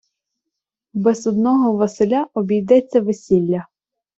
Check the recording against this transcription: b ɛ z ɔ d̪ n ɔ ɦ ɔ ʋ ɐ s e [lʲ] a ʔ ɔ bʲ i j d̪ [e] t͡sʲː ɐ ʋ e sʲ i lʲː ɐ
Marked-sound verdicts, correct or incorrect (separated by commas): correct, incorrect